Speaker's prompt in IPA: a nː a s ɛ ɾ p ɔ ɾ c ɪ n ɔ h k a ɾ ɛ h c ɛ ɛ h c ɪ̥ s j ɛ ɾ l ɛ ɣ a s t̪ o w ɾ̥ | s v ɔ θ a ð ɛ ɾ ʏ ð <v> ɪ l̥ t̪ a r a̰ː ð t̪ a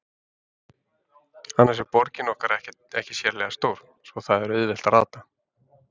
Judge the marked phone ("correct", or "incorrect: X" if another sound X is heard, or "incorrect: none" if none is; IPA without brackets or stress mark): correct